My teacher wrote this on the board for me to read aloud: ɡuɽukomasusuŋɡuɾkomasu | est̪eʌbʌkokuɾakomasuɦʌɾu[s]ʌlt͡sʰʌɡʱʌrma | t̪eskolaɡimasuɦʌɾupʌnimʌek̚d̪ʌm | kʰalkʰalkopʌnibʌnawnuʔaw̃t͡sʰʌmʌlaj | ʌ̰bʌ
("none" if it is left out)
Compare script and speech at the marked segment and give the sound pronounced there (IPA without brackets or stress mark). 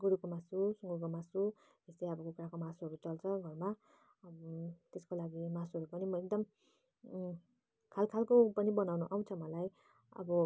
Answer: t͡s